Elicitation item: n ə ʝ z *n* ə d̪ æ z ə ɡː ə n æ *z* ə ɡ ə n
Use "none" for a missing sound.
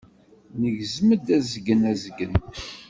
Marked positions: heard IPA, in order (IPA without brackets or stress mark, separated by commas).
m, z